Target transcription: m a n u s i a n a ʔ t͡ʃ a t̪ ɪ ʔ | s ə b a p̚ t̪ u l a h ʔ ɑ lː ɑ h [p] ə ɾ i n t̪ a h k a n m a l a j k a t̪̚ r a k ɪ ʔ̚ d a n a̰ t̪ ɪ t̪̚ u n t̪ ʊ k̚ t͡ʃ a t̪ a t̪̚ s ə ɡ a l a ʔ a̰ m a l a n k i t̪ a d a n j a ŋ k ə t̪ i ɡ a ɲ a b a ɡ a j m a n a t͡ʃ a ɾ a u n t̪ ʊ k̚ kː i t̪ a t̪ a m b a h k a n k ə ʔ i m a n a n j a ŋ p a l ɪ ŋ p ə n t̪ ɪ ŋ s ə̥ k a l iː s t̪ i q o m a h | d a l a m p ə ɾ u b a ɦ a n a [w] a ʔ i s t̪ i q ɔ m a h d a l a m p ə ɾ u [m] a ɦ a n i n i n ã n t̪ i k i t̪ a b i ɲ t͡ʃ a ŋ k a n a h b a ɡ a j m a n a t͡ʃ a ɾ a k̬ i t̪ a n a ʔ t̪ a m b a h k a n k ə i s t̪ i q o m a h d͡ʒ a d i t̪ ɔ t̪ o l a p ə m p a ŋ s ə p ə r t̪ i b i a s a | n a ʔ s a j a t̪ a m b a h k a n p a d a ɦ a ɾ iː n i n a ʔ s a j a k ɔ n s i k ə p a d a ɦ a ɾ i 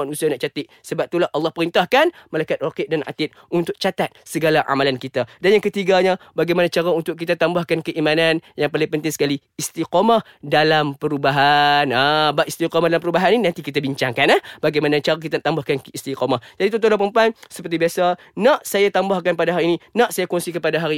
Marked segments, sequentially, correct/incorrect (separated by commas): correct, incorrect, incorrect